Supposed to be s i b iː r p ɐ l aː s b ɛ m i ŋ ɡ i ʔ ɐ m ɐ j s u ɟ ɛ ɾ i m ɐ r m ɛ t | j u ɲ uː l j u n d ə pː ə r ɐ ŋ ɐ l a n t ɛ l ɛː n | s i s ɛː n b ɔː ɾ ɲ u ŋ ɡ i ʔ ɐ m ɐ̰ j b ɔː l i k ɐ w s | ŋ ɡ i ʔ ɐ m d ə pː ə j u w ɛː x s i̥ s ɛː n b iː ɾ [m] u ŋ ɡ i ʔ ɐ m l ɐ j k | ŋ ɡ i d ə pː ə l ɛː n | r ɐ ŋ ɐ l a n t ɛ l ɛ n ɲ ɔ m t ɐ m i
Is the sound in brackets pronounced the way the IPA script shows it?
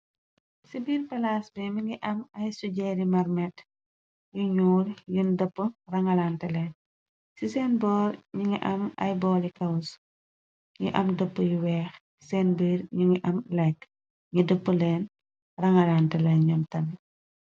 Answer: no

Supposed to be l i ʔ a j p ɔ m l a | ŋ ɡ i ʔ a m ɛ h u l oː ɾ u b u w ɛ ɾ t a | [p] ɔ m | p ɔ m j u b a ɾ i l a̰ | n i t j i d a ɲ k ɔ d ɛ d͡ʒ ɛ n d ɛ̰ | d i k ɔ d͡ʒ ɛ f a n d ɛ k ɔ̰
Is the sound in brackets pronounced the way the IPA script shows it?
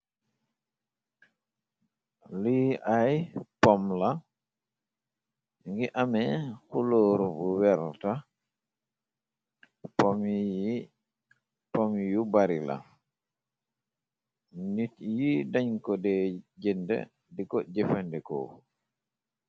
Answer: yes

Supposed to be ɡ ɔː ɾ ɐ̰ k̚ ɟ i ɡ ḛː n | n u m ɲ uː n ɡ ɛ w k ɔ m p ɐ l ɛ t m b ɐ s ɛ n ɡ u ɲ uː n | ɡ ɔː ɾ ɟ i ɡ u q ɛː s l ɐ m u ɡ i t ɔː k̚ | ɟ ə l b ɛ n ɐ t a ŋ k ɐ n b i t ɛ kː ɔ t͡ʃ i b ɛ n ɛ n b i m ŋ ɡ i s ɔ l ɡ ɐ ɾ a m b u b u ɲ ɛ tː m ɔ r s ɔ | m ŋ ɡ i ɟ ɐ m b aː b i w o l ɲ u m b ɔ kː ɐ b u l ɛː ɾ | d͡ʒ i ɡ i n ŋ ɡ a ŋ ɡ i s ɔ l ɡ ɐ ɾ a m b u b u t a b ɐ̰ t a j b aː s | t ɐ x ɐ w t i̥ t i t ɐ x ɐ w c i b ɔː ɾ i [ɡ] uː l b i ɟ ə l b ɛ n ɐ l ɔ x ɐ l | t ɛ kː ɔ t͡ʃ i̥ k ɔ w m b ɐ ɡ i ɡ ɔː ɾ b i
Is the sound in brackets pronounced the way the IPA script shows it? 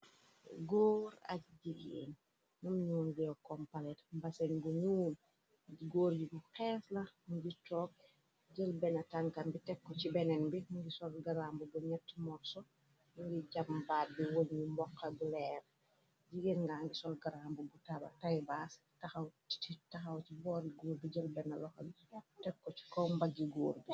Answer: yes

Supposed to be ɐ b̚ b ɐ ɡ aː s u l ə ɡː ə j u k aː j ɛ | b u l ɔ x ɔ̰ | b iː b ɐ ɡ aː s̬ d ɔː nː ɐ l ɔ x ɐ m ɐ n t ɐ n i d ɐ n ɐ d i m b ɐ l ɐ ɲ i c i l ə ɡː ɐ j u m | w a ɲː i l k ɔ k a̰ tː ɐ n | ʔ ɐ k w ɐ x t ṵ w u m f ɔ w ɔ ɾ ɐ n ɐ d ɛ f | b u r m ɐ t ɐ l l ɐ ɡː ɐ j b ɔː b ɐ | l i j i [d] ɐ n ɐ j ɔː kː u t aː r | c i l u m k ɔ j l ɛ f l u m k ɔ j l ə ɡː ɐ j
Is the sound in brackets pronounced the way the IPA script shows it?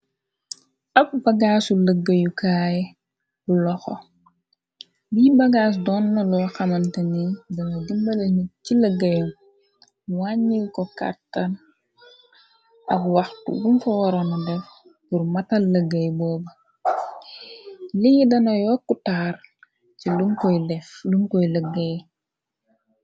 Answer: yes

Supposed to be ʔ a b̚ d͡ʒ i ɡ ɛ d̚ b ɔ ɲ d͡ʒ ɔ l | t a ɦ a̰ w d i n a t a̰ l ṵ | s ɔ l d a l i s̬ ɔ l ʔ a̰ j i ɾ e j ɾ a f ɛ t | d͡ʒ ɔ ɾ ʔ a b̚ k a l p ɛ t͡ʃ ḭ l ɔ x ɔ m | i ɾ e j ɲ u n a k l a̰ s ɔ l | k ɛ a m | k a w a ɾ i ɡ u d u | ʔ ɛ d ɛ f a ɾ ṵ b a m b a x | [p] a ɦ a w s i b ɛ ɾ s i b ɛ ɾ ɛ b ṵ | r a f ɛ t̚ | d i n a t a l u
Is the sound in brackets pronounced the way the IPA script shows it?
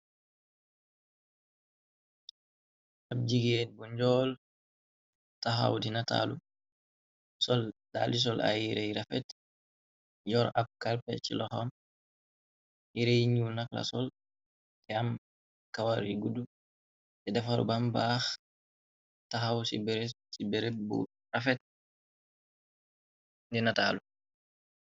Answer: no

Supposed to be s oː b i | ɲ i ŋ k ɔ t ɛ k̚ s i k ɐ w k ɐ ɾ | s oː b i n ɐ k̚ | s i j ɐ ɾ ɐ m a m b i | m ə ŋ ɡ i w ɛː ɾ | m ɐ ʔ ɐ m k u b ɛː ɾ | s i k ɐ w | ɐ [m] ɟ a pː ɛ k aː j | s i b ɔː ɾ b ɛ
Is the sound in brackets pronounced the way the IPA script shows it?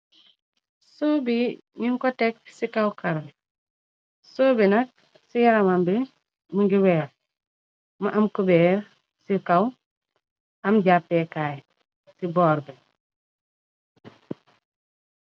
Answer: yes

